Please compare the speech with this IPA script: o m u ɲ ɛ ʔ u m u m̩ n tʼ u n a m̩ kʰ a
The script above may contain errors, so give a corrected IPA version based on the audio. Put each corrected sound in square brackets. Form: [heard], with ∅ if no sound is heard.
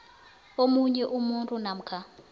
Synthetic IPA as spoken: o m u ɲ ɛ ʔ u m u [∅] n tʼ u n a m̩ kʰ a